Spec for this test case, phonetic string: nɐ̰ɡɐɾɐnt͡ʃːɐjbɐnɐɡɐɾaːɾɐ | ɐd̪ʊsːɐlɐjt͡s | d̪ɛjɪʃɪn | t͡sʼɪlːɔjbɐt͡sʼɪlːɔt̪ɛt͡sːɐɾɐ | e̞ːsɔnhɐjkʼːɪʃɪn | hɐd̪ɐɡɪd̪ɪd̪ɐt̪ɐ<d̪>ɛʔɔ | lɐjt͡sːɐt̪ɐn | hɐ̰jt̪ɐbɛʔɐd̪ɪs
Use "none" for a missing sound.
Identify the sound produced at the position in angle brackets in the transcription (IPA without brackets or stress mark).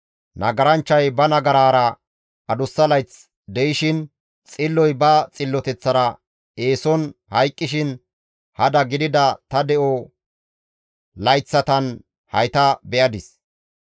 d̪